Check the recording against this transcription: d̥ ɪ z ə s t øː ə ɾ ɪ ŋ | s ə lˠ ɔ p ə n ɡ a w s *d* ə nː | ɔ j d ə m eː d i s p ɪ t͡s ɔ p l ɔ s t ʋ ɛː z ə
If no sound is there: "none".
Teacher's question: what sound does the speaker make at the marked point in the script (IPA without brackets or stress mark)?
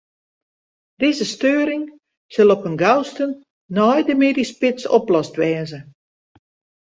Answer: t